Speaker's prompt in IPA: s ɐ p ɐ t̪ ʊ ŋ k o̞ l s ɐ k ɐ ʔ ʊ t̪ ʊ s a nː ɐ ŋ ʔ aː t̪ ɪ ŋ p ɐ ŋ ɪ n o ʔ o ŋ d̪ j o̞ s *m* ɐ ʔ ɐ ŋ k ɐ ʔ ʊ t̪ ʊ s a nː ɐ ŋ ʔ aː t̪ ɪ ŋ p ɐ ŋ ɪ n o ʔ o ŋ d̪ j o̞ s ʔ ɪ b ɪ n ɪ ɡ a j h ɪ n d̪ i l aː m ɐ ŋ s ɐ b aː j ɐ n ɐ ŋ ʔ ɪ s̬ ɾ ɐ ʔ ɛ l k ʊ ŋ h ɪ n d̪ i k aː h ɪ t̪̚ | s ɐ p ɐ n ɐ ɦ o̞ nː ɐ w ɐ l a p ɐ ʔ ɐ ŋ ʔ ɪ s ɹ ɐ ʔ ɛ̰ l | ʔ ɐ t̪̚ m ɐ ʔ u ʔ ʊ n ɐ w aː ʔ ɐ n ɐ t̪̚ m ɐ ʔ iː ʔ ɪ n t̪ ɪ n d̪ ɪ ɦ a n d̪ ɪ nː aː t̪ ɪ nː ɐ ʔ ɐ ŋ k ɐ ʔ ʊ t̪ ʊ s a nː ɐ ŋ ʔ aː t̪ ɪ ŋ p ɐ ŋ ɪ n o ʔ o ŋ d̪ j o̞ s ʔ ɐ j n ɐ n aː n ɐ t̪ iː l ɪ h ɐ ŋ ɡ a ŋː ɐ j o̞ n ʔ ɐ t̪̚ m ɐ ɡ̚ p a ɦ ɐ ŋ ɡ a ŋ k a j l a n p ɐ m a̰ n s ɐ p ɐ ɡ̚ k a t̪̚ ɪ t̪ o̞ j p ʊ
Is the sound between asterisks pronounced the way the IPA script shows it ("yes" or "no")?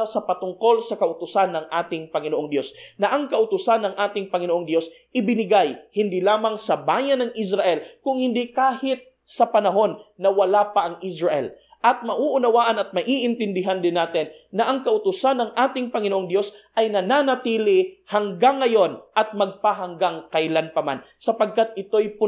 no